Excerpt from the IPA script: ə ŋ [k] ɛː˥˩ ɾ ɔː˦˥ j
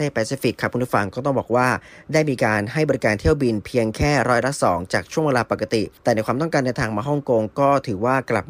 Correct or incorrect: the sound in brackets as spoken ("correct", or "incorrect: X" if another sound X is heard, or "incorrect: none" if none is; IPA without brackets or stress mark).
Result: incorrect: kʰ